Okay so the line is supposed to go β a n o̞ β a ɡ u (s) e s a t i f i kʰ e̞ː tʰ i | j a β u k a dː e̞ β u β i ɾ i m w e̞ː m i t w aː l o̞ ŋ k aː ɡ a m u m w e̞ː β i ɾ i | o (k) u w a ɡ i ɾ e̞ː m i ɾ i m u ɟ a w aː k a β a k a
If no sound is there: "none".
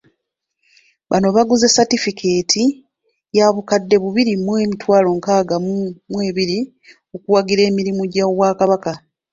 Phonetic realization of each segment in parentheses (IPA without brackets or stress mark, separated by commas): z, k